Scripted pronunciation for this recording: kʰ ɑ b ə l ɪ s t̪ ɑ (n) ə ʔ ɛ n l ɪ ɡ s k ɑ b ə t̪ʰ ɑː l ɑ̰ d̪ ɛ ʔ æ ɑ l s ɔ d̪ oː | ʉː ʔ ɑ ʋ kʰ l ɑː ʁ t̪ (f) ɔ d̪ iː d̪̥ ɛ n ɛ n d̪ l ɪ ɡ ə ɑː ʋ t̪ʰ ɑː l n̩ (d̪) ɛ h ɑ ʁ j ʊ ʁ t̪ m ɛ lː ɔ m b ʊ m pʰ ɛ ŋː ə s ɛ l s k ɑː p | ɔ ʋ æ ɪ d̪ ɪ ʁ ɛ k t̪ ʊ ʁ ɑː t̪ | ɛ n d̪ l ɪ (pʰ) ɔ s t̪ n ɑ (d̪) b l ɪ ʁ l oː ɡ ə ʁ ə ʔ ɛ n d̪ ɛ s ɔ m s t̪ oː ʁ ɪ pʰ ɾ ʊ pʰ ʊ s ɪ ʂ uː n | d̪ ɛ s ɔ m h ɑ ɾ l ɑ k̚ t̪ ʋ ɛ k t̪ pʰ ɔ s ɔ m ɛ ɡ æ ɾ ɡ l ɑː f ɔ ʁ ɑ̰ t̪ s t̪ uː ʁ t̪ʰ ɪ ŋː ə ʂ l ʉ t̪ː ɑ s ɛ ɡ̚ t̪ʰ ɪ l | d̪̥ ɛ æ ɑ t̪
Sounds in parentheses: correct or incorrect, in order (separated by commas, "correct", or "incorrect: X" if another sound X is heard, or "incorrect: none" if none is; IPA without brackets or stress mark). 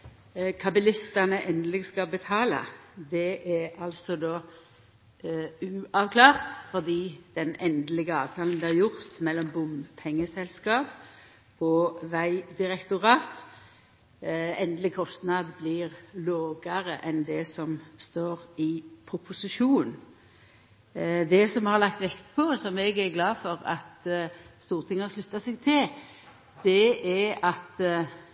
correct, correct, correct, incorrect: kʰ, correct